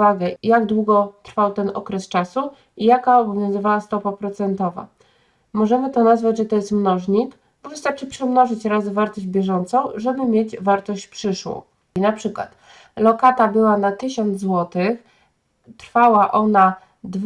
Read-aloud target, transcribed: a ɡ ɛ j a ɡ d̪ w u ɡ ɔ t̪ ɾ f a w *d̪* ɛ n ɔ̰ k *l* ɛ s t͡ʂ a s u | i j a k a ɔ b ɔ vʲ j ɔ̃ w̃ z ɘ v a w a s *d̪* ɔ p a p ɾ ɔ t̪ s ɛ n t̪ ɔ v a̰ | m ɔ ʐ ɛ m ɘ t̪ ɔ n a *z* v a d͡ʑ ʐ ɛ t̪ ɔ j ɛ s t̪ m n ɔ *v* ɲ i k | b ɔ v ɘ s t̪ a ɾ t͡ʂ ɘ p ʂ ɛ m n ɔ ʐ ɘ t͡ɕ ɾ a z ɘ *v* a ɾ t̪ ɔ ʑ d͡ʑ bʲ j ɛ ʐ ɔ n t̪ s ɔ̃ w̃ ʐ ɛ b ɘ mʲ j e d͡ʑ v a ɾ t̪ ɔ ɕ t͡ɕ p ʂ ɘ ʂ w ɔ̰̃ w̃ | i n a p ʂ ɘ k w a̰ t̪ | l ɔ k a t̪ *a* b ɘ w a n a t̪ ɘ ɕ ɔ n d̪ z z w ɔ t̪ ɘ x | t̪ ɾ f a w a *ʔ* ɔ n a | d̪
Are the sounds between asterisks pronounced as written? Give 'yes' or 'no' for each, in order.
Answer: no, no, no, yes, no, yes, yes, yes

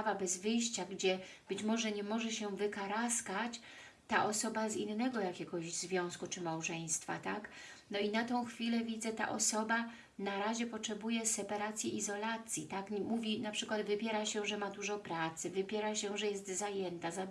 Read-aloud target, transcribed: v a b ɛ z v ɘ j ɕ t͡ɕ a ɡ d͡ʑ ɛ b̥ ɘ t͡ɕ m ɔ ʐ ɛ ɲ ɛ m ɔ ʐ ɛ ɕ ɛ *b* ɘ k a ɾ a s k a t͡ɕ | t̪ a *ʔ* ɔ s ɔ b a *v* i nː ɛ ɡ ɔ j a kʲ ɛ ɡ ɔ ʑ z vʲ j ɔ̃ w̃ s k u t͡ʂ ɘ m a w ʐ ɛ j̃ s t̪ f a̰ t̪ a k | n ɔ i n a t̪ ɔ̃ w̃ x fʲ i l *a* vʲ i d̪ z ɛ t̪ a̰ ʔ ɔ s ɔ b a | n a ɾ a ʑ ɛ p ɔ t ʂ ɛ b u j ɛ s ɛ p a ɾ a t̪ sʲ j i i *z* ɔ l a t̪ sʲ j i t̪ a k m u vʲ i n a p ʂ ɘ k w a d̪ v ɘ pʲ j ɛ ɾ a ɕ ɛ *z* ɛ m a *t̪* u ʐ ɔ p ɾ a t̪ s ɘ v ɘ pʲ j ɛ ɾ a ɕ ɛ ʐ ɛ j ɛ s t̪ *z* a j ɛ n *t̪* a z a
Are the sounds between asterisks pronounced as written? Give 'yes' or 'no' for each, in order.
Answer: no, yes, no, no, yes, no, no, yes, yes

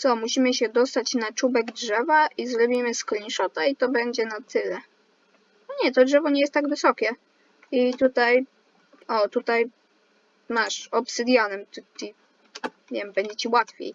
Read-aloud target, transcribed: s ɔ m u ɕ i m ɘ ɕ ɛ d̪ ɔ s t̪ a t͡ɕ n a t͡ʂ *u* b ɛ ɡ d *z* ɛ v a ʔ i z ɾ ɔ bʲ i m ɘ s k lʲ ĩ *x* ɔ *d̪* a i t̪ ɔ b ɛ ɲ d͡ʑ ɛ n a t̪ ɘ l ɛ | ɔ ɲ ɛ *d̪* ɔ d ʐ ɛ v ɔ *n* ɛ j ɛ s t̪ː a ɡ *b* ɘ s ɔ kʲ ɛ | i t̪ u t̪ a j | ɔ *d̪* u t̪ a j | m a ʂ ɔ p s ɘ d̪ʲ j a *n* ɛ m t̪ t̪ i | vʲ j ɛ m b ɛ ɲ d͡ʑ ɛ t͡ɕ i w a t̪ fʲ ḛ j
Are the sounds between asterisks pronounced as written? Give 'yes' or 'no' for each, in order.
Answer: yes, no, no, no, no, no, no, no, yes

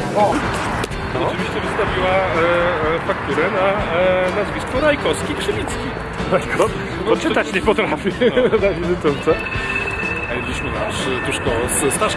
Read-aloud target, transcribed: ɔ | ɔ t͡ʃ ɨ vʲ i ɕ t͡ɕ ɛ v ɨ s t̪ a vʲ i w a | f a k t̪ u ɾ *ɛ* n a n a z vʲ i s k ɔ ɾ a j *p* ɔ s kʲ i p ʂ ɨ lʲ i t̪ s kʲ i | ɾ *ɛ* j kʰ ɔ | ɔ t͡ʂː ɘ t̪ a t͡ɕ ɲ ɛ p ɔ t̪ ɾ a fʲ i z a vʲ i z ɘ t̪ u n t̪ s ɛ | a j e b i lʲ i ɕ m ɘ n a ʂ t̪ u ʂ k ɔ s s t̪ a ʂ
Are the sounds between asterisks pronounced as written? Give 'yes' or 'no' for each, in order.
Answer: yes, no, no

